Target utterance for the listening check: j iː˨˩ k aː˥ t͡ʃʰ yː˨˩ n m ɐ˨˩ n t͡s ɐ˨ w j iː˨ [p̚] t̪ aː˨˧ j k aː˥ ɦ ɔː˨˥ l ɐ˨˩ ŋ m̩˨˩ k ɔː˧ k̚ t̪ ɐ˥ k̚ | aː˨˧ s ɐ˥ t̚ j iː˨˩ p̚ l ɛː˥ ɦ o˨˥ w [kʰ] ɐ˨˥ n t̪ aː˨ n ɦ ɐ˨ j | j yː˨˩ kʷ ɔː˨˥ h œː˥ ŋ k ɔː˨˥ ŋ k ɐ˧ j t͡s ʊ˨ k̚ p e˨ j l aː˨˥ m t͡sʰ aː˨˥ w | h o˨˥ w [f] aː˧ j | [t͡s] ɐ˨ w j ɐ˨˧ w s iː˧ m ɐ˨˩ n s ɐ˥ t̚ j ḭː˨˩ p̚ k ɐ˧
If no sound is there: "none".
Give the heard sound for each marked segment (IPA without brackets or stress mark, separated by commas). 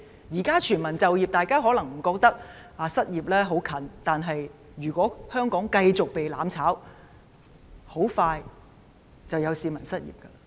p̚, kʰ, f, t͡s